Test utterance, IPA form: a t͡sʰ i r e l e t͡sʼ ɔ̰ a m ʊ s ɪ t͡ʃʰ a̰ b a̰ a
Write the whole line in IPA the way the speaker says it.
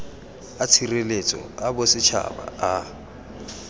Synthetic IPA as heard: a t͡sʰ i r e l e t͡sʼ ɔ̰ a b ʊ s ɪ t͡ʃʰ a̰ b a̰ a